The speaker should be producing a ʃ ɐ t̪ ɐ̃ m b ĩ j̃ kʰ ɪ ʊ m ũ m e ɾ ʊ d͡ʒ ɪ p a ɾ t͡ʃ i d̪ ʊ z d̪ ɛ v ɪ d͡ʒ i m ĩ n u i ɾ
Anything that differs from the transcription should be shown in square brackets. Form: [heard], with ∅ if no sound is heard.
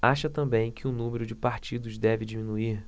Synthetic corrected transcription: a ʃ ɐ t̪ ɐ̃ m b [ẽ] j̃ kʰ ɪ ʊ [n] ũ m e ɾ ʊ d͡ʒ ɪ p a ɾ t͡ʃ i d̪ ʊ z d̪ ɛ v ɪ d͡ʒ i m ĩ n u i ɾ